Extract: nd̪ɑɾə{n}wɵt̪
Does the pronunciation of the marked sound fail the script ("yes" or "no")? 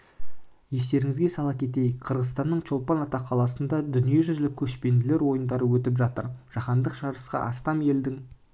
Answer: yes